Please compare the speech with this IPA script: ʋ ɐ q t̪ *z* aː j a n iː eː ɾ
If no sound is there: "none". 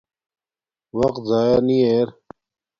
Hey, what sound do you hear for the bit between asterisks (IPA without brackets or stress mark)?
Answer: z